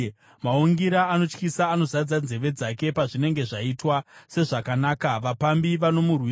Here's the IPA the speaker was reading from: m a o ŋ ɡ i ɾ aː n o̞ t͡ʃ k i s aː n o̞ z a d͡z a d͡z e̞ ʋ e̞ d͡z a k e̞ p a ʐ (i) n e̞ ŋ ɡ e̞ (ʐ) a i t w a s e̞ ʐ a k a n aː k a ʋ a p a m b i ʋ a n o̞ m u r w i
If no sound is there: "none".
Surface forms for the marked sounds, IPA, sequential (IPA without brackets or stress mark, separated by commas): i, ʐ